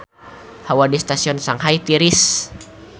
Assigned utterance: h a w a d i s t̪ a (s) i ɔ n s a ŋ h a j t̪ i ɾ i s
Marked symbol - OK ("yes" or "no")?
yes